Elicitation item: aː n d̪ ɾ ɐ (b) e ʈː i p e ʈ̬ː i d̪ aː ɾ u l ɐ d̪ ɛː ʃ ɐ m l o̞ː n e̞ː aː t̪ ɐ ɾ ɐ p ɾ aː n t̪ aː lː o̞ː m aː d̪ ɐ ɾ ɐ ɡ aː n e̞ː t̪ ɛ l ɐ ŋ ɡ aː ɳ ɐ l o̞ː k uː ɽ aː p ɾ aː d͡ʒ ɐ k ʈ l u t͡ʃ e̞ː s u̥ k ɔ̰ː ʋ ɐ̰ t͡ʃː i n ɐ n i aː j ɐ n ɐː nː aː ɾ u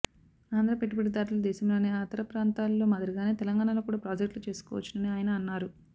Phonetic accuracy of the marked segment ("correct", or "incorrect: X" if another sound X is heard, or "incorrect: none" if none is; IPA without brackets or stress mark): incorrect: p